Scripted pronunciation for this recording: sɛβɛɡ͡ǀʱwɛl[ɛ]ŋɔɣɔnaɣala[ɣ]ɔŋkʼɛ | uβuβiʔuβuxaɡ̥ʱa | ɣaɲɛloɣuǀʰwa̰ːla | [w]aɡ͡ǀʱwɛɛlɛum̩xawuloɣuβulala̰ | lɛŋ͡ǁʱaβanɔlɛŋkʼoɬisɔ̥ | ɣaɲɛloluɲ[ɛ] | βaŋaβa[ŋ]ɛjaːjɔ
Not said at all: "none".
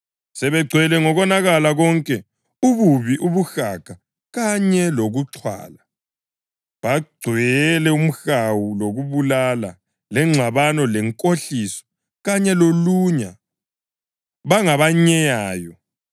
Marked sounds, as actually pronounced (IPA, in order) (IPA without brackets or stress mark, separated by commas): ɛ, ɣ, β, a, ɲ